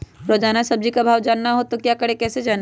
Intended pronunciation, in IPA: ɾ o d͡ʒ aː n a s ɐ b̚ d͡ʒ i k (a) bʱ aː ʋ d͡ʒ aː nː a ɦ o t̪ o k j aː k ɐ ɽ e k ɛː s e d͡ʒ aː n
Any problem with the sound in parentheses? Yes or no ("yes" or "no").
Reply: no